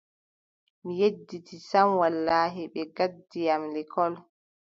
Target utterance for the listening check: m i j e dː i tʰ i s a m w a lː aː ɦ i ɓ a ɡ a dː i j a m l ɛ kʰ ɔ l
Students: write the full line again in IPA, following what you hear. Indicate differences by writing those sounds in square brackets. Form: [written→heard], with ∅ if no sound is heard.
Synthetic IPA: m i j e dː i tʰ i s a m w a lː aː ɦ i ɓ [a→ɛ] ɡ a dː i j a m l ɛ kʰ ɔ l

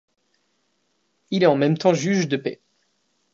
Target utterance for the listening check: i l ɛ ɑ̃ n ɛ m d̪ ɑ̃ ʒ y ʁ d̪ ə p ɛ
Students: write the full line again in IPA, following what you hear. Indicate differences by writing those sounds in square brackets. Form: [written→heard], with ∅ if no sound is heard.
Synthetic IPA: i l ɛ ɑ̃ [n→m] ɛ m [d̪→t̪] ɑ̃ ʒ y [ʁ→ʒ] d̪ ə p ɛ

